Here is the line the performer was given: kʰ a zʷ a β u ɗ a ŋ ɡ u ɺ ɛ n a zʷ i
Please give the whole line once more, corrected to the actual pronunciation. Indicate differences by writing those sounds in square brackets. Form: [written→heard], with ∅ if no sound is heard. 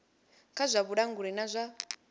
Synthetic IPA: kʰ a zʷ a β u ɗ a ŋ ɡ u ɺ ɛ n a zʷ [i→a]